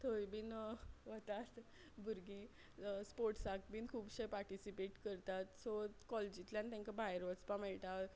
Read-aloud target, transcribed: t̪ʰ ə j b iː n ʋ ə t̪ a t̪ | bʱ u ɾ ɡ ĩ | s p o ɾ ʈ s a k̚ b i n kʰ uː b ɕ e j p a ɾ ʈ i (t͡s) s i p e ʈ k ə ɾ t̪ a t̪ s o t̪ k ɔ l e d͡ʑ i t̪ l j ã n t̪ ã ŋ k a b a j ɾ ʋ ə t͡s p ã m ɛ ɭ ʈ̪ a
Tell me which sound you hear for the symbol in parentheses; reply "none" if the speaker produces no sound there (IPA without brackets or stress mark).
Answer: none